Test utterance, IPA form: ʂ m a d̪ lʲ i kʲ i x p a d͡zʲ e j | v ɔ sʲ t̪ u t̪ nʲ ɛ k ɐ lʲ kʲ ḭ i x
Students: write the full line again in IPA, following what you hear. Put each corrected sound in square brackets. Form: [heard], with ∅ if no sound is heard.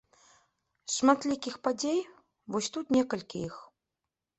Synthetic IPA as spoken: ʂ m a [t̪] lʲ i kʲ i x p a d͡zʲ e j | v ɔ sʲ t̪ u t̪ nʲ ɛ k ɐ lʲ kʲ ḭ i x